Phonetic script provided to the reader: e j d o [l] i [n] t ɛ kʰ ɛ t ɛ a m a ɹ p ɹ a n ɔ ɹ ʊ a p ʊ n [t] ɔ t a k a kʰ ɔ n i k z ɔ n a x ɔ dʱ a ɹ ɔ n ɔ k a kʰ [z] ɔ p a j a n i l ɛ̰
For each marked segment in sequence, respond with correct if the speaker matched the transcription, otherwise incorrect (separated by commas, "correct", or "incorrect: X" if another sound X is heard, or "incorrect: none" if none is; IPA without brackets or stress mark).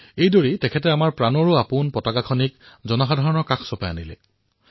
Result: incorrect: ɹ, incorrect: none, incorrect: p, incorrect: s